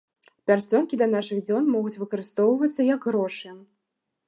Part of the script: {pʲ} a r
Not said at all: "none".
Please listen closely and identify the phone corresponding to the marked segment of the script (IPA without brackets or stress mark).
pʲ